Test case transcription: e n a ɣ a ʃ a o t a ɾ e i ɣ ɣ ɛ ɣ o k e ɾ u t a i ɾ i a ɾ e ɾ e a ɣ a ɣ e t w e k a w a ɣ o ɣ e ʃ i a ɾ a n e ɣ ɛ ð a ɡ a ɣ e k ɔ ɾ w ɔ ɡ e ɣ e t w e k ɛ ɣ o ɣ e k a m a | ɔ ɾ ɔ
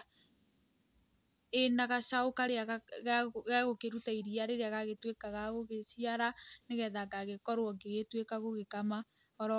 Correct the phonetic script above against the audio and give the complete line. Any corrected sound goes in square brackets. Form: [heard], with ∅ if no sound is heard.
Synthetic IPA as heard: e n a ɣ a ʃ a o [k] a ɾ e [a] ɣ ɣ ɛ ɣ o k e ɾ u t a i ɾ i a ɾ e ɾ e a ɣ a ɣ e t w e k a [ɣ] a ɣ o ɣ e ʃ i a ɾ a n e ɣ ɛ ð a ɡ a ɣ e k ɔ ɾ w ɔ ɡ e ɣ e t w e k [a] ɣ o ɣ e k a m a | ɔ ɾ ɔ